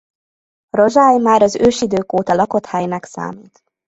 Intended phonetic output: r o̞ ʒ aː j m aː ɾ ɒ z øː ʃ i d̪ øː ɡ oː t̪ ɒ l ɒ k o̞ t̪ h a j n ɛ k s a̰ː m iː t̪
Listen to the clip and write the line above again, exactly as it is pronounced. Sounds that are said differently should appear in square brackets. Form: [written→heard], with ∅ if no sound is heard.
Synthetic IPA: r o̞ ʒ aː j m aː ɾ ɒ z øː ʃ i d̪ øː [ɡ→k] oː t̪ ɒ l ɒ k o̞ t̪ h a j n ɛ k s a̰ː m iː t̪